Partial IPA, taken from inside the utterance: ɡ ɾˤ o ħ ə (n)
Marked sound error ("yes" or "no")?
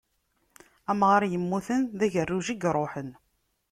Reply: no